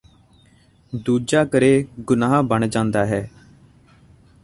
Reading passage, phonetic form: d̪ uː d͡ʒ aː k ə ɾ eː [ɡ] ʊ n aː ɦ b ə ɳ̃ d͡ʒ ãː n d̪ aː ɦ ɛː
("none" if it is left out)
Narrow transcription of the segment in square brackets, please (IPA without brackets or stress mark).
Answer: ɡ